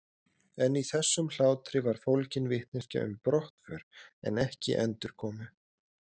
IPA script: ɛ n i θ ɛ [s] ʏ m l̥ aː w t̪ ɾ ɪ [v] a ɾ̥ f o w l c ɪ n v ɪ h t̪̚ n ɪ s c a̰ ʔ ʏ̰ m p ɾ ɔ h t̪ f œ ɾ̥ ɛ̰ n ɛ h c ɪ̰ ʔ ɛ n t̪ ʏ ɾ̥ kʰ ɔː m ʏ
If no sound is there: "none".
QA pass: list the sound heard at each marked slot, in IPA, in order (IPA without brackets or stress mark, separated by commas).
sː, v